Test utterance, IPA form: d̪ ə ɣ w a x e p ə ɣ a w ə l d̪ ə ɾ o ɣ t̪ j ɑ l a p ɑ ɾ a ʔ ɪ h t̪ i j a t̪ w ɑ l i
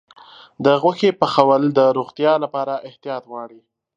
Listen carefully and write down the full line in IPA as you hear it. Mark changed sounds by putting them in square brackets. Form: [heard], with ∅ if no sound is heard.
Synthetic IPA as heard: d̪ ə ɣ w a x e p ə [x] a w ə l d̪ ə ɾ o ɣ t̪ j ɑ l a p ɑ ɾ a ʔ ɪ h t̪ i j [ɑ] t̪ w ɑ [ɽ] i